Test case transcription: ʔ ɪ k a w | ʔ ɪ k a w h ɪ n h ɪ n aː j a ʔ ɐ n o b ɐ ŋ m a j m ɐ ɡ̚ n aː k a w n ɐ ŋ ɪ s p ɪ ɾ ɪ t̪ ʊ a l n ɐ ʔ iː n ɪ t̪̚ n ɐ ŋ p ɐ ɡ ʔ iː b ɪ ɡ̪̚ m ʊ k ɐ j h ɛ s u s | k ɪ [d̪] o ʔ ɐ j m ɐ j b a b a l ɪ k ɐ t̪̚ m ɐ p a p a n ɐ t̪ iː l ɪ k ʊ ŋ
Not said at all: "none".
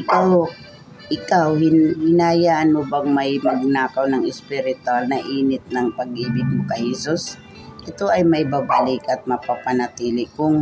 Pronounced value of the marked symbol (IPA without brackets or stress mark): t̪